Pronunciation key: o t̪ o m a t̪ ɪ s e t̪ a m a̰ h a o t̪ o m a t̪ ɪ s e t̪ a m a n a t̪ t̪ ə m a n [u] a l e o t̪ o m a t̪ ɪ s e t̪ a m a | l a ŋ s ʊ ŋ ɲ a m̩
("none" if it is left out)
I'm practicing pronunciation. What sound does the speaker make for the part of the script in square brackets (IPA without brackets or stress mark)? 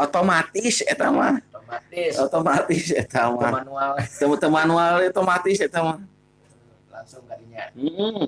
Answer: u